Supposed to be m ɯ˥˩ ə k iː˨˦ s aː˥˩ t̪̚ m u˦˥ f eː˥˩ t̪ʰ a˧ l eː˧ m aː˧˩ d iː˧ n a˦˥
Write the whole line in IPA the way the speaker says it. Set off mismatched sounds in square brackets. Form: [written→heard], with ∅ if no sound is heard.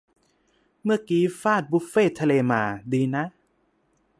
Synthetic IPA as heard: m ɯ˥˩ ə k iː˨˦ [s→f] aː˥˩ t̪̚ [m→b] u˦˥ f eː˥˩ t̪ʰ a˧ l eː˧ m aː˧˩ d iː˧ n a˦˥